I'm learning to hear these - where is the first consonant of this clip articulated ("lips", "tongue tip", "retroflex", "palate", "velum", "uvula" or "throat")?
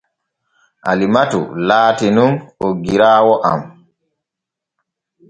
throat